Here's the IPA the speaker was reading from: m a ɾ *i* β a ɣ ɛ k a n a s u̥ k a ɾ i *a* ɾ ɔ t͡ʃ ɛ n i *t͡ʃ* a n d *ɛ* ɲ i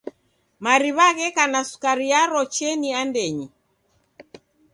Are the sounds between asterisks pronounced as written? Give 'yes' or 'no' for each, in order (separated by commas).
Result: yes, yes, no, yes